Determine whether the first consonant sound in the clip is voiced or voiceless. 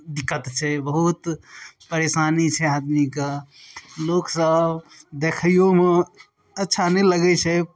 voiced